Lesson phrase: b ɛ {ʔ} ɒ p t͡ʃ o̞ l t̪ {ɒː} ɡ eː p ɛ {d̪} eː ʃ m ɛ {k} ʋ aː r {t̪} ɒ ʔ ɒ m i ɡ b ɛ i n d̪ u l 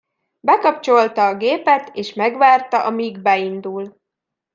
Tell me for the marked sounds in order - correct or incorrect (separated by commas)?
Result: incorrect, correct, incorrect, incorrect, correct